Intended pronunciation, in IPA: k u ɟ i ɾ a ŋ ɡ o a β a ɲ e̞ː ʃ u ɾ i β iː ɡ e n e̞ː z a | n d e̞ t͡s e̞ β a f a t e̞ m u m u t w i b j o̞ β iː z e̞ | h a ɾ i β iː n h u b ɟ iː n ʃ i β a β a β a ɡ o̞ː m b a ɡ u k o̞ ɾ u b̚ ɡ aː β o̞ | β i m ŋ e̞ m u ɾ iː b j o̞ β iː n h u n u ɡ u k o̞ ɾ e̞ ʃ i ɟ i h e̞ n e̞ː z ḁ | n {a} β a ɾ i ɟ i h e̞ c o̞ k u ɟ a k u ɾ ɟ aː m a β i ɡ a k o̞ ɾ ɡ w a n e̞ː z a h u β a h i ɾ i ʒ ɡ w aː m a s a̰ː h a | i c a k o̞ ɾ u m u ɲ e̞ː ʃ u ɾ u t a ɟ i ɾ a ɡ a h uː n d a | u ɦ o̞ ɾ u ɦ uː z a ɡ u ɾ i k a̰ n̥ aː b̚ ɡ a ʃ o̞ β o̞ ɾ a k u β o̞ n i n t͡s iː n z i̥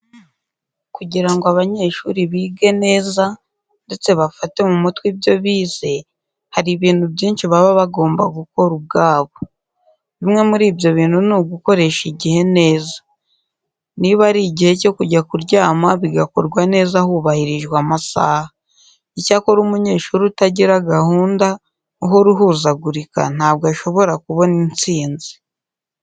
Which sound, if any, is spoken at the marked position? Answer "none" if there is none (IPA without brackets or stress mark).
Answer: i